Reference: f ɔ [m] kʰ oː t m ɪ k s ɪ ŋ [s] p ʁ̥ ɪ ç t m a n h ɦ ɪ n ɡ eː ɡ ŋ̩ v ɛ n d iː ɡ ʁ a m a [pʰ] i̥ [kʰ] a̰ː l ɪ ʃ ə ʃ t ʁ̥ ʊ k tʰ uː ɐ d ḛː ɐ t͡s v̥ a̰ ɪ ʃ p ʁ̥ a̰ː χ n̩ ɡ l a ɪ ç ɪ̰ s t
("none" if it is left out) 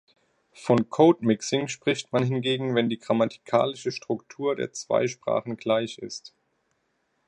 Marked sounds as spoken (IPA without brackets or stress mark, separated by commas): n, ʃ, tʰ, kʰ